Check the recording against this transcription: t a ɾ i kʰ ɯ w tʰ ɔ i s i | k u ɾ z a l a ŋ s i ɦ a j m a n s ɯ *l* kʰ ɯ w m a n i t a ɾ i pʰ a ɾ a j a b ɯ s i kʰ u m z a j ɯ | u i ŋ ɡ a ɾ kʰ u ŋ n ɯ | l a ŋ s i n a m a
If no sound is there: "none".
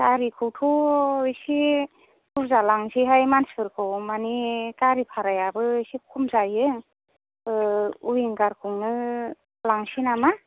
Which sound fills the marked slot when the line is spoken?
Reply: ɾ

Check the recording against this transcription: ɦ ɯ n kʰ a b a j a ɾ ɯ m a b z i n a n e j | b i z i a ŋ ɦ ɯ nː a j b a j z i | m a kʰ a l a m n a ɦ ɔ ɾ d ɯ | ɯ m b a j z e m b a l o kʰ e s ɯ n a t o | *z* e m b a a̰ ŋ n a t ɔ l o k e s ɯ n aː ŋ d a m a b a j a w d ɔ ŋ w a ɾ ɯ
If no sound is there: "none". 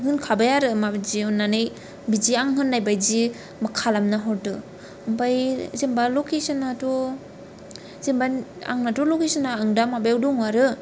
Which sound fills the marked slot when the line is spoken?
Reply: z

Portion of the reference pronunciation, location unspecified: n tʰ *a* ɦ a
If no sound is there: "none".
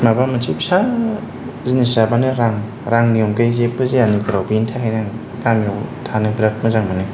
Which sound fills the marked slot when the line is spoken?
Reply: a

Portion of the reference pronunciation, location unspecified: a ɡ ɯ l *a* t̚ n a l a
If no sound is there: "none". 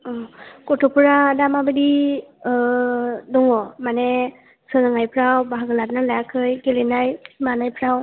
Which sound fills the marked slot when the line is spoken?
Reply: a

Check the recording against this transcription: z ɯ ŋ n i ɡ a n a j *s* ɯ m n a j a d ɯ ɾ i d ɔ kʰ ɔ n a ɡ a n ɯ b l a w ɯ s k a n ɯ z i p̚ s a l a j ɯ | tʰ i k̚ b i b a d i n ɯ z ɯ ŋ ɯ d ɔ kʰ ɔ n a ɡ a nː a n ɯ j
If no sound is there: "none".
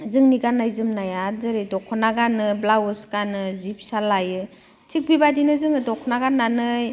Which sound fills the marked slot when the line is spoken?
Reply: z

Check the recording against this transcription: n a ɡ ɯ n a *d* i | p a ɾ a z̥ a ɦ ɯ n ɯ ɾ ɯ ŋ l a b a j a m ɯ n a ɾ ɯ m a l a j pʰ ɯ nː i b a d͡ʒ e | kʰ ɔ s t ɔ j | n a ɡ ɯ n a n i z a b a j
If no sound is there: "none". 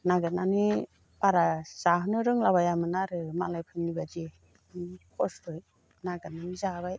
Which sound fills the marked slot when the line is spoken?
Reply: n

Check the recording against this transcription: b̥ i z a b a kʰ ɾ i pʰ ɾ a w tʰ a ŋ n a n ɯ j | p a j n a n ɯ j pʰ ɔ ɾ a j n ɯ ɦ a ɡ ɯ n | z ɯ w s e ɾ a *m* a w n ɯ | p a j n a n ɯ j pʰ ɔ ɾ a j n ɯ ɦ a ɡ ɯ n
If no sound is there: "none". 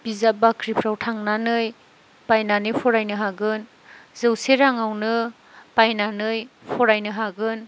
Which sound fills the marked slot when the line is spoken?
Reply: ŋ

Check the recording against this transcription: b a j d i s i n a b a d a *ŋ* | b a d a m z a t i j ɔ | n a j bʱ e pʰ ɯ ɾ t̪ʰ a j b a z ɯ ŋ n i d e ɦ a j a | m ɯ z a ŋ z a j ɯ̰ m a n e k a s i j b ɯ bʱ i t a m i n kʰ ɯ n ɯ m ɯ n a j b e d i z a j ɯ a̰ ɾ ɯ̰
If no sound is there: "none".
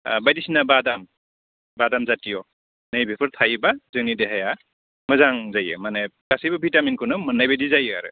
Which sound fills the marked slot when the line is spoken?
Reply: m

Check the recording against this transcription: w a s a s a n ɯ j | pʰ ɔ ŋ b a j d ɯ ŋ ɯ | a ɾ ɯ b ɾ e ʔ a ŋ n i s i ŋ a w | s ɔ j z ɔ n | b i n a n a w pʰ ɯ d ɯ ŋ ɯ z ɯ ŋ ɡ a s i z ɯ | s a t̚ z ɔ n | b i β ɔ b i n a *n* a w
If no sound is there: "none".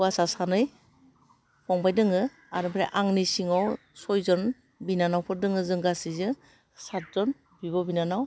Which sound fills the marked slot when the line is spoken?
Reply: n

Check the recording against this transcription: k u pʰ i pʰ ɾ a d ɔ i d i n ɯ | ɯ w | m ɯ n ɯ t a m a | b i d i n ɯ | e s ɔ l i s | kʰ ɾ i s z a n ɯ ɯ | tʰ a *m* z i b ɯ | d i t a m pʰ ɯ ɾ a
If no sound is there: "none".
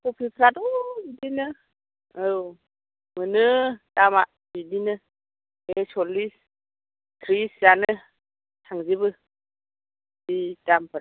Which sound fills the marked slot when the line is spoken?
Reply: ŋ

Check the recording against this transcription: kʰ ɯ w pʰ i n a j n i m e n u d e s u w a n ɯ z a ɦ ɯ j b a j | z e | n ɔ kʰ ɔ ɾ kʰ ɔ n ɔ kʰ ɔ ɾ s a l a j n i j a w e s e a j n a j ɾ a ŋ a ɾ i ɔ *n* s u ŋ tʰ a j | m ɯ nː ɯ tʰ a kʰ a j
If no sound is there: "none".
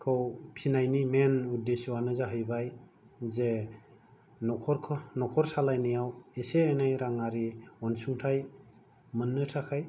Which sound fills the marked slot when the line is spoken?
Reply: n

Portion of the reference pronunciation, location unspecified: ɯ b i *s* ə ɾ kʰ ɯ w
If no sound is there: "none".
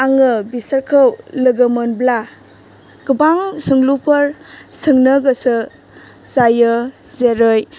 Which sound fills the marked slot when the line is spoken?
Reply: s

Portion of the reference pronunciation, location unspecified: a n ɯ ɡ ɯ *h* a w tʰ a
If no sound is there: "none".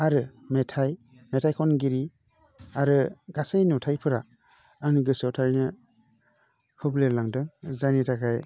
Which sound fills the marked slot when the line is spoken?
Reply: s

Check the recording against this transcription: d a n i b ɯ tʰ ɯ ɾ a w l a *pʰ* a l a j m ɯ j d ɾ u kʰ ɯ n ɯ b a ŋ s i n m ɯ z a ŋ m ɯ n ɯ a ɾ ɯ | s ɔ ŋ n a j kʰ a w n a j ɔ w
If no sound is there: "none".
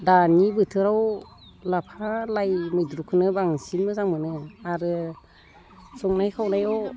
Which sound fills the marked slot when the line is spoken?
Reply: pʰ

